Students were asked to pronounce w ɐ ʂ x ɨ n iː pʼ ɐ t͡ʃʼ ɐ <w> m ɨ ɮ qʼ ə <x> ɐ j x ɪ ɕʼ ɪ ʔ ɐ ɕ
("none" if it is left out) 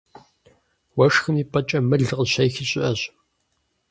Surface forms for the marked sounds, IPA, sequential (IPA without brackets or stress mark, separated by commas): none, ɕ